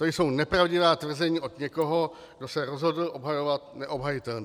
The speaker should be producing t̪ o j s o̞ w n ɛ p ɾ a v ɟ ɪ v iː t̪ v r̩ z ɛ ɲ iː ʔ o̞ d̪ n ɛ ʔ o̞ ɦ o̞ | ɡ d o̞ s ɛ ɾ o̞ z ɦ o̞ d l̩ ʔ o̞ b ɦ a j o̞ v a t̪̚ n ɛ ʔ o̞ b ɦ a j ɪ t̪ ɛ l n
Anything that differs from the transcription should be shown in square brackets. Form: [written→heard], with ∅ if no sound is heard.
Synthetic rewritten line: t̪ o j s o̞ w n ɛ p ɾ a v ɟ ɪ v [iː→aː] t̪ v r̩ z ɛ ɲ iː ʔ o̞ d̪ [n→ɲ] ɛ [ʔ→k] o̞ ɦ o̞ | ɡ d o̞ s ɛ ɾ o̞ z ɦ o̞ d l̩ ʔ o̞ b ɦ a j o̞ v a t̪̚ n ɛ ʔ o̞ b ɦ a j ɪ t̪ ɛ l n